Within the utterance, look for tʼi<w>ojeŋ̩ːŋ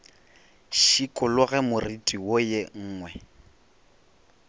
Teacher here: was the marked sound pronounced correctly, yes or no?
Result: yes